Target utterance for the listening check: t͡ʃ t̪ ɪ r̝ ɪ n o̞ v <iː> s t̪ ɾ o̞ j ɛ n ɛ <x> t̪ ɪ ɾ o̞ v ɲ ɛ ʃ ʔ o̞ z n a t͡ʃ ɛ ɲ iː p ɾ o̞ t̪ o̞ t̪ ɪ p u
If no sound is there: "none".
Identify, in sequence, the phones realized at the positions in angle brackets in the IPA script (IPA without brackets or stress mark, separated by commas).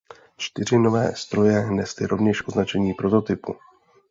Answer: ɛː, s